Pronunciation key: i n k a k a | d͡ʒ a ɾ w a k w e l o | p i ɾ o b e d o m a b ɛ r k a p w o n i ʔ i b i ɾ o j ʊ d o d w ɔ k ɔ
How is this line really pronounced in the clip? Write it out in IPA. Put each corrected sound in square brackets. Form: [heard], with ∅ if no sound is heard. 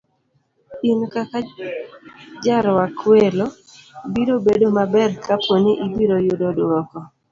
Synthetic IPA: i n k a k a | d͡ʒ a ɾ w a k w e l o | [b] i ɾ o b e d o m a b ɛ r k a p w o n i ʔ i b i ɾ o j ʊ d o d w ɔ k ɔ